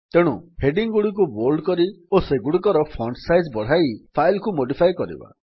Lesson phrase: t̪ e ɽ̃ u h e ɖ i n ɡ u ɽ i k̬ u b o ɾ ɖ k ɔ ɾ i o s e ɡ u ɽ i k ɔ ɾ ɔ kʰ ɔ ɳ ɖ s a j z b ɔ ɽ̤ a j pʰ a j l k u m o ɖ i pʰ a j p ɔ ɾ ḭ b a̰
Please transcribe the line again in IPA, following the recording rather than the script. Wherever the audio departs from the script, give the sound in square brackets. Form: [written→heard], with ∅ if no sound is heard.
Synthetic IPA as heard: t̪ e ɽ̃ u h e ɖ i [n→ŋ] ɡ u ɽ i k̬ u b o ɾ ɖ k ɔ ɾ i o s e ɡ u ɽ i k ɔ ɾ ɔ [kʰ→pʰ] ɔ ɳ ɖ s a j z b ɔ ɽ̤ a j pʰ a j l k u m o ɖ i pʰ a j [p→k] ɔ ɾ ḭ b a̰